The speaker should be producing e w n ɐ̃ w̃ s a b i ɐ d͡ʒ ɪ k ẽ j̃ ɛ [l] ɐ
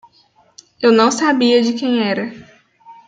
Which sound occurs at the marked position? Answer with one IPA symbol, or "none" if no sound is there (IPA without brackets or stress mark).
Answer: ɾ